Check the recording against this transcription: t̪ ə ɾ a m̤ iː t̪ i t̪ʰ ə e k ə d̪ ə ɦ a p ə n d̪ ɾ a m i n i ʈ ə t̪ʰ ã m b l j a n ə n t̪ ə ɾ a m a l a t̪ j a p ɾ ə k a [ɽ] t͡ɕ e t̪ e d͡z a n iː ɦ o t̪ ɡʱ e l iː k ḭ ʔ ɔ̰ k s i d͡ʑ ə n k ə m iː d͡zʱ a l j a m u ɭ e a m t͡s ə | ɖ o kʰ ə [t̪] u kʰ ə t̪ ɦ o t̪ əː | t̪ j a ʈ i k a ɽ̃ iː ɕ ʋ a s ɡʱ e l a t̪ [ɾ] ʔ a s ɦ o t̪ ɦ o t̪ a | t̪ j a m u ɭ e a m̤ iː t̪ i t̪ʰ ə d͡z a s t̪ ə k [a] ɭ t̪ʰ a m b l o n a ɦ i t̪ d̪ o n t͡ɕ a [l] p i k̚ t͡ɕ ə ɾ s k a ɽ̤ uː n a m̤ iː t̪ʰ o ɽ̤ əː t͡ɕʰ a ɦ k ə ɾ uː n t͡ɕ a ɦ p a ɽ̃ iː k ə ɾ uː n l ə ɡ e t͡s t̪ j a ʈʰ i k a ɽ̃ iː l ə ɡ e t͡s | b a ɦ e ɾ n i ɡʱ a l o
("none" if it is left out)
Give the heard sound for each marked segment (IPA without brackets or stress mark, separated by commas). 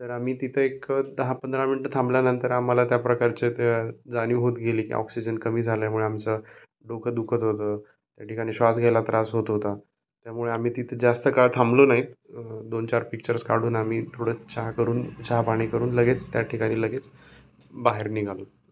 ɾ, d̪, ɾ, a, ɾ